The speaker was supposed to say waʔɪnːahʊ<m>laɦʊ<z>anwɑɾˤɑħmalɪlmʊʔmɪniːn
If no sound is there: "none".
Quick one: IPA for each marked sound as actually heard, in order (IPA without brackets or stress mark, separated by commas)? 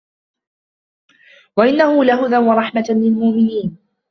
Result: none, ð